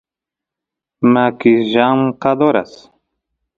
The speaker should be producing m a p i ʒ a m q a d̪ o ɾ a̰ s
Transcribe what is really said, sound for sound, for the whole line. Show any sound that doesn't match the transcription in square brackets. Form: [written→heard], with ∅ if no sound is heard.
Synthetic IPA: m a [p→k] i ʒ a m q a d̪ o ɾ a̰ s